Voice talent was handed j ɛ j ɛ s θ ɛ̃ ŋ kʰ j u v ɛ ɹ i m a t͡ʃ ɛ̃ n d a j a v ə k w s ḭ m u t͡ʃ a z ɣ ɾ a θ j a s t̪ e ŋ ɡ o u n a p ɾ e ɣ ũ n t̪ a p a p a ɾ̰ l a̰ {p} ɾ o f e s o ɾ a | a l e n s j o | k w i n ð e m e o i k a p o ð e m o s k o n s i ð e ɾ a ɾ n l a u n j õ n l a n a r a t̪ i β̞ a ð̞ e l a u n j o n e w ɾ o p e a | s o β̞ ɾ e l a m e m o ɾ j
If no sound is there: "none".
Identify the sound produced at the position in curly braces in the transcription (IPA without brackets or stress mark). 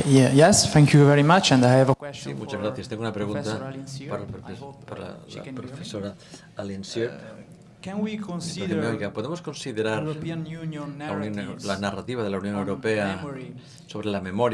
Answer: p